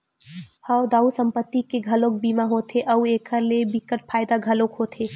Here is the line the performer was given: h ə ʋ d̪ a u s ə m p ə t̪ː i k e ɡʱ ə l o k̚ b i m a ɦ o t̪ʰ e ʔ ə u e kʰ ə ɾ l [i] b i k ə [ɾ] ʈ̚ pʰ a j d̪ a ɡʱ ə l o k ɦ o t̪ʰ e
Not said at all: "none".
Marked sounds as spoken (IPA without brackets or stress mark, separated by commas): e, none